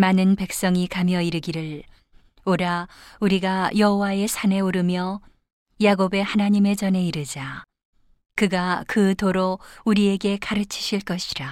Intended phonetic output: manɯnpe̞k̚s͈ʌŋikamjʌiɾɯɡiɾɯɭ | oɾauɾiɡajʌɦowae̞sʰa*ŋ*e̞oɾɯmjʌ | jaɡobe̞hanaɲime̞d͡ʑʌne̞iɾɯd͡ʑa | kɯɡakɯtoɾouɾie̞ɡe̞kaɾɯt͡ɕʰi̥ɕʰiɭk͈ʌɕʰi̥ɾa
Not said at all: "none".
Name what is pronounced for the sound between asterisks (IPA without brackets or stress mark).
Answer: n